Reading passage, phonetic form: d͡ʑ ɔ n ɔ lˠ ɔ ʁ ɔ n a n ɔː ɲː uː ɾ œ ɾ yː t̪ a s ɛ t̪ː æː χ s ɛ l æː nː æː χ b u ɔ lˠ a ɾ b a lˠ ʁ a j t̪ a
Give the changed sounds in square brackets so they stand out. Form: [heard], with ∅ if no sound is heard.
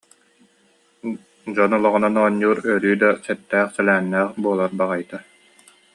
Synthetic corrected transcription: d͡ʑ ɔ n ɔ lˠ ɔ ʁ ɔ n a n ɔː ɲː uː ɾ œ ɾ yː [d̪] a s ɛ t̪ː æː χ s ɛ l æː nː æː χ b u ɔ lˠ a ɾ b a [∅] ʁ a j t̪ a